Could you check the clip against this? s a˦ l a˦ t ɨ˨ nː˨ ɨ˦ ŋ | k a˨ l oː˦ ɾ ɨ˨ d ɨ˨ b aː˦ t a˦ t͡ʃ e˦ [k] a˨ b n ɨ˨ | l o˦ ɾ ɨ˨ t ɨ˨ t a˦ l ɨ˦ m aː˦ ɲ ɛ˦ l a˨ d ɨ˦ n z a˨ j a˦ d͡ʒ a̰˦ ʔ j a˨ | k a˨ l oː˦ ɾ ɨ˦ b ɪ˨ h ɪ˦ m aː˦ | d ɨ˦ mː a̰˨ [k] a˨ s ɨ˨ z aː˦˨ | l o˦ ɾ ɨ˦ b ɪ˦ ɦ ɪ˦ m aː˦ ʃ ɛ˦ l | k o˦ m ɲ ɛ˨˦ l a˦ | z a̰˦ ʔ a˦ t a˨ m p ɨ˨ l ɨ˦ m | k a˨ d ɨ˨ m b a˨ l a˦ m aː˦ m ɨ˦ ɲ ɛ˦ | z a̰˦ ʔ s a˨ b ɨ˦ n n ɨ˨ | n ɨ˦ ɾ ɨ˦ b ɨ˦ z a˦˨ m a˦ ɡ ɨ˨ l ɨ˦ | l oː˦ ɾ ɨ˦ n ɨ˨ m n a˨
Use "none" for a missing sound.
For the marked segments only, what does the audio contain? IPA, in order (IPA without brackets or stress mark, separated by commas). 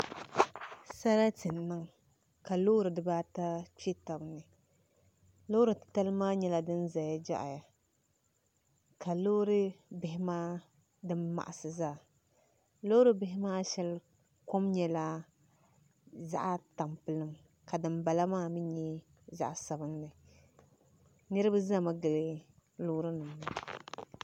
t, ʔ